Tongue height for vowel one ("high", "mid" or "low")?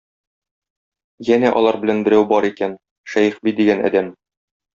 low